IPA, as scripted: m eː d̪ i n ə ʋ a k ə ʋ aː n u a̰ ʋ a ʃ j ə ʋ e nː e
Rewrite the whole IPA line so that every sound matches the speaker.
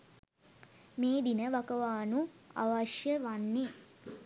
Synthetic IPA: m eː d̪ i n ə ʋ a k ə ʋ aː n u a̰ ʋ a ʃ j ə ʋ a nː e